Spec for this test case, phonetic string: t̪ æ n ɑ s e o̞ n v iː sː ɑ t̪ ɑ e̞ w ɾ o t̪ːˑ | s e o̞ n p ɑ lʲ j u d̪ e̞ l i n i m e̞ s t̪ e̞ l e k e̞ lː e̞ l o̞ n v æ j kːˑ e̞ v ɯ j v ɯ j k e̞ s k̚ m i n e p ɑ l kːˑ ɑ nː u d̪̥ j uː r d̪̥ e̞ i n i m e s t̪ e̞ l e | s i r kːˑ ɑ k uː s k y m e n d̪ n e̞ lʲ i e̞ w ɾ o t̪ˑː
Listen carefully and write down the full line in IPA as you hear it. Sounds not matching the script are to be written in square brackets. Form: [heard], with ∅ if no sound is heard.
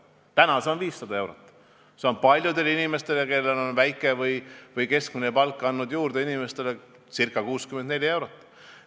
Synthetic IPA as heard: t̪ æ n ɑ s e o̞ n v iː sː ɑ [d̪] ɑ e̞ w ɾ o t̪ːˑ | s e o̞ n p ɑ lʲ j u d̪ e̞ l i n i m e̞ s t̪ e̞ l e k e̞ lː e̞ l o̞ n v æ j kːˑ e̞ v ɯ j v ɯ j k e̞ s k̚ m i n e p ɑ l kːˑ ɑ nː u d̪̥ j uː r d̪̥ e̞ i n i m e s t̪ e̞ l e | s i r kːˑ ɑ k uː s k y m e n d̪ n e̞ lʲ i e̞ w ɾ o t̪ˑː